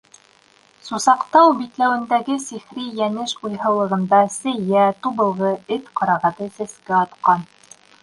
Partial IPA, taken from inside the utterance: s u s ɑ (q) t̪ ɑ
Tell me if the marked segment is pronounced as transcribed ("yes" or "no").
yes